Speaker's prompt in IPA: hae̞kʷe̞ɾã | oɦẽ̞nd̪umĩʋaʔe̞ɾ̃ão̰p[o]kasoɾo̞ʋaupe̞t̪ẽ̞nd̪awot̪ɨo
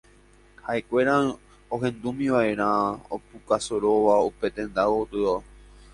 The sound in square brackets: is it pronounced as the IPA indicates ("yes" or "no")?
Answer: no